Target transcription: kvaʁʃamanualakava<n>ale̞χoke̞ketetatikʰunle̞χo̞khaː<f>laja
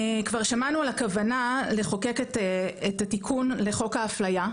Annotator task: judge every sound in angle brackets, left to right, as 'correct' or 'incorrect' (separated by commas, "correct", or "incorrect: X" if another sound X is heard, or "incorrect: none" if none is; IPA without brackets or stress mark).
correct, correct